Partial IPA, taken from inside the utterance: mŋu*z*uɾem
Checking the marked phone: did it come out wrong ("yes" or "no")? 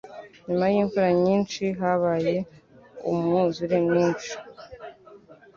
no